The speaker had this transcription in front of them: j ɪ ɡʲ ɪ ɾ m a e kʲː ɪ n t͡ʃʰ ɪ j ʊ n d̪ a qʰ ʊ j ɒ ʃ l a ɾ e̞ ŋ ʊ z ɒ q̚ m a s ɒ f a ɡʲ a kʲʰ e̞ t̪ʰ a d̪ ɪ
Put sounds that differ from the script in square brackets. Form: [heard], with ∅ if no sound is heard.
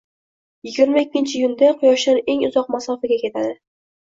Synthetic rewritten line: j ɪ ɡʲ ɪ ɾ m a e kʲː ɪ n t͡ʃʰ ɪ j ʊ n d̪ a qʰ ʊ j ɒ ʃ l a ɾ e̞ ŋ ʊ z ɒ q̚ m a s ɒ f a ɡʲ a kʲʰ e̞ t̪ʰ a d̪ ɪ